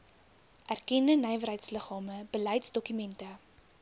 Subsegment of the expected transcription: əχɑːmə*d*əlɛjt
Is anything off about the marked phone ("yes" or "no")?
yes